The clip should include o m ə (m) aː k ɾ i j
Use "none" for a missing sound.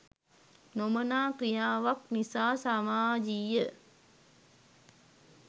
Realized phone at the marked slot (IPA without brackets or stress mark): n